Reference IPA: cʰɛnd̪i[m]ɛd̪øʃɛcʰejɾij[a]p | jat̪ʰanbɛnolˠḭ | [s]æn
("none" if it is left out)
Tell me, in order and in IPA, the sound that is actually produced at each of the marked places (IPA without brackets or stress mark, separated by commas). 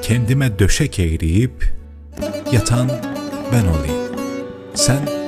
m, i, s